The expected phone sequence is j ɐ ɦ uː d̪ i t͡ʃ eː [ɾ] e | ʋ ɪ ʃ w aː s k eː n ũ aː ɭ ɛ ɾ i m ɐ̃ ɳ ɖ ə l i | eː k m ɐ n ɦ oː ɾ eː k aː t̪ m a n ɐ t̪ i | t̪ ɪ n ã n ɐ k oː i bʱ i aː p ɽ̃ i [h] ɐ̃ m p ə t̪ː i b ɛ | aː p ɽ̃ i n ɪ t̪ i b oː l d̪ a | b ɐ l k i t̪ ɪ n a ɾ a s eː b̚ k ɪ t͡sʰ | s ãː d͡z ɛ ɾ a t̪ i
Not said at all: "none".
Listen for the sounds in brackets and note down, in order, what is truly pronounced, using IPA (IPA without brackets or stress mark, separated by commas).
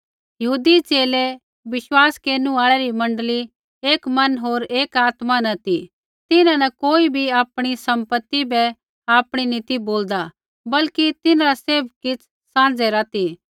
l, s